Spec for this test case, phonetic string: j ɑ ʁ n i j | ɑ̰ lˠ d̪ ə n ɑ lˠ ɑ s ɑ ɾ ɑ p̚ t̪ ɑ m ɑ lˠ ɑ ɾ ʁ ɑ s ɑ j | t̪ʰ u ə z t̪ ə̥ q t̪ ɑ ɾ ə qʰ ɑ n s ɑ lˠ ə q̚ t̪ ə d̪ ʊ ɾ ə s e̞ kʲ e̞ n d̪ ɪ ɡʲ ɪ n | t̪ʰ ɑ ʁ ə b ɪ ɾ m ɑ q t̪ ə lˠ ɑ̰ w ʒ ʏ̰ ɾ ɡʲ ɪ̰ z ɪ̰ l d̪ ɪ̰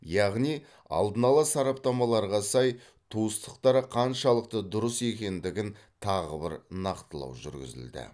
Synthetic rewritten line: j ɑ ʁ n i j | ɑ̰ lˠ d̪ ə n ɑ lˠ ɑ s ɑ ɾ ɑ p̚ t̪ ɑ m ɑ lˠ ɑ ɾ ʁ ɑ s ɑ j | t̪ʰ u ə s t̪ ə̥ q t̪ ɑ ɾ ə qʰ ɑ n ʃ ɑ lˠ ə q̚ t̪ ə d̪ ʊ ɾ ə s e̞ kʲ e̞ n d̪ ɪ ɡʲ ɪ n | t̪ʰ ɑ ʁ ə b ɪ ɾ n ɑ q t̪ ə lˠ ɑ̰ w ʒ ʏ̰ ɾ ɡʲ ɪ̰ z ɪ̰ l d̪ ɪ̰